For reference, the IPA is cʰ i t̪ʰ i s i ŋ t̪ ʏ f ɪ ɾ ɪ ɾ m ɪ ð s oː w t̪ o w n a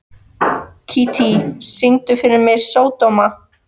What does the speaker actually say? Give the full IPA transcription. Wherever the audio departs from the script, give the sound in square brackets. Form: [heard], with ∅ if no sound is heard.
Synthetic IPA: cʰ i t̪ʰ i s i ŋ t̪ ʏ f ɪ ɾ ɪ ɾ m ɪ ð s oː w t̪ o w [m] a